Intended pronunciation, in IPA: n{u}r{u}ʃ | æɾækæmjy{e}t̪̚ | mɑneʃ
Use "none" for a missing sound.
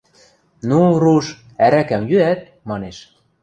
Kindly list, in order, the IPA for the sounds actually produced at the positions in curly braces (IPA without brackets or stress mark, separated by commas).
u, u, æ